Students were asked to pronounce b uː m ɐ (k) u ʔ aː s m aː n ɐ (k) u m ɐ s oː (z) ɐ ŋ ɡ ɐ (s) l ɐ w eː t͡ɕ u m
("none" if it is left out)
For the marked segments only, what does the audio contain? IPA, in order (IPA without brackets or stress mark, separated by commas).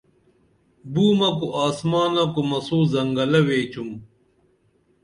k, k, z, none